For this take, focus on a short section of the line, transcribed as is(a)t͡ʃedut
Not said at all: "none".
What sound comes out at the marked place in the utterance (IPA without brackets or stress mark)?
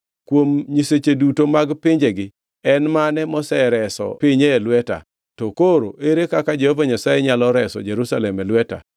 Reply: e